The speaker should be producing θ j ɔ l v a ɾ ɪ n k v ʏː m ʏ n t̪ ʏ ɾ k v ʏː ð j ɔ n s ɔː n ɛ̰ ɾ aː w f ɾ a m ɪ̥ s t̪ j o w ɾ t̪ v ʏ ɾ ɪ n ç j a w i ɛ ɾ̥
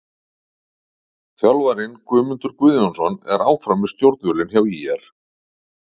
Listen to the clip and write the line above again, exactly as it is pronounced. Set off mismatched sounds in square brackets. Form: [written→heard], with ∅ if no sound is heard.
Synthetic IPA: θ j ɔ l v a ɾ ɪ n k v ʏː m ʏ n t̪ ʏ ɾ k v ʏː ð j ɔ n s [ɔː→ɔ] n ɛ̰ ɾ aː w f ɾ a m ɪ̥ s t̪ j o w ɾ t̪ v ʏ [ɾ→l] ɪ n ç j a w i ɛ ɾ̥